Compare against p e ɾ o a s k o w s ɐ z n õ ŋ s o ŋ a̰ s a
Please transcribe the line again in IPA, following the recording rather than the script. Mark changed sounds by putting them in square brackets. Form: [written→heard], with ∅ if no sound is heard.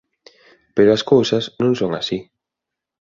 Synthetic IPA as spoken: p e ɾ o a s k o w s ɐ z n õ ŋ s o ŋ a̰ s [a→i]

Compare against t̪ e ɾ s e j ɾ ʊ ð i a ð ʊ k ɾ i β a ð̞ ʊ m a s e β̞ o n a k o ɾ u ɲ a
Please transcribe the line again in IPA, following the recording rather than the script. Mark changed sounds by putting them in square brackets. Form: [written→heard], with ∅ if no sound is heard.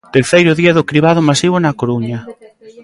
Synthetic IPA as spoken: t̪ e ɾ [s→θ] e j ɾ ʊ ð i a ð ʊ k ɾ i β a ð̞ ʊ m a s [e→i] β̞ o n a k o ɾ u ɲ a

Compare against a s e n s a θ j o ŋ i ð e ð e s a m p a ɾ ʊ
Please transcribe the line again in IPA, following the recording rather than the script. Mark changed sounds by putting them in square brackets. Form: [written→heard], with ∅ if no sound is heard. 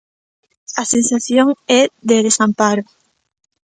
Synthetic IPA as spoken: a s e n s a θ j o ŋ [i→ɛ] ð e ð e s a m p a ɾ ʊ

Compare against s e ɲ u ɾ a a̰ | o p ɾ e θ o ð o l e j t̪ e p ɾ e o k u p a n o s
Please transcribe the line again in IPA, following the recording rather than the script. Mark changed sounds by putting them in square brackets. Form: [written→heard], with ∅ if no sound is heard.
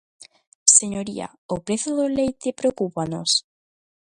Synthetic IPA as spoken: s e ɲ [u→o] ɾ [a→i] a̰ | o p ɾ e θ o ð o l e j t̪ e p ɾ e o k u p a n o s

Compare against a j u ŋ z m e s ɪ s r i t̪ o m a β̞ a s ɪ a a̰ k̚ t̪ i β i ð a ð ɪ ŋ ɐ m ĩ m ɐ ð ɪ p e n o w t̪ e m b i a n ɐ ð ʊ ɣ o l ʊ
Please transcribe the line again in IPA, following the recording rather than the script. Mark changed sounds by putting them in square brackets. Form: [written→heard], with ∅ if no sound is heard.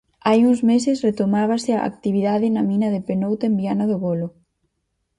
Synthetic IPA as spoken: a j u ŋ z m e s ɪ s r [i→e] t̪ o m a β̞ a s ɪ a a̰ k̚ t̪ i β i ð a ð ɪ [ŋ→n] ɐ m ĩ [m→n] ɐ ð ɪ p e n o w t̪ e m b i a n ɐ ð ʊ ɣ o l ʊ

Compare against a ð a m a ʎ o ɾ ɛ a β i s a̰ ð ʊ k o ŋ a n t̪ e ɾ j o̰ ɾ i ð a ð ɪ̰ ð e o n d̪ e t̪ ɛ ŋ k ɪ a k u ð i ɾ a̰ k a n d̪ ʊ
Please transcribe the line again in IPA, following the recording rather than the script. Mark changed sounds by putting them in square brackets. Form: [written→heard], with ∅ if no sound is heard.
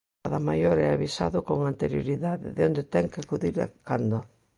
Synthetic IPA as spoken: a ð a m a [ʎ→j] o ɾ ɛ a β i s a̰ ð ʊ k o ŋ a n t̪ e ɾ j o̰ ɾ i ð a ð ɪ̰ ð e o n d̪ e t̪ ɛ ŋ k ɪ a k u ð i ɾ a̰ k a n d̪ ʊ

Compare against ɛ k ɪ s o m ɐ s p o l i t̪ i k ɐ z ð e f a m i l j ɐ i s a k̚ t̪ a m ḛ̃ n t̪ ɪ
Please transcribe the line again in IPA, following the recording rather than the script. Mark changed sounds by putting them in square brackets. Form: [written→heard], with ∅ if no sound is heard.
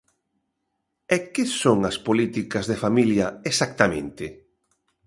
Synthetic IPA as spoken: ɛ k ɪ s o [m→ŋ] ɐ s p o l i t̪ i k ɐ z ð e f a m i l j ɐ [i→e] s a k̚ t̪ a m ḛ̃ n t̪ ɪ

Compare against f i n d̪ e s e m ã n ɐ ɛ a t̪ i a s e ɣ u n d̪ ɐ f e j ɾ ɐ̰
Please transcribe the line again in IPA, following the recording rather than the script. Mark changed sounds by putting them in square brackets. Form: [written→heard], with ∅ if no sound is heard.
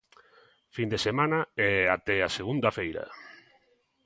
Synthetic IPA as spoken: f i n d̪ e s e m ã n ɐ ɛ a t̪ [i→ɛ] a s e ɣ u n d̪ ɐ f e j ɾ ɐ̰

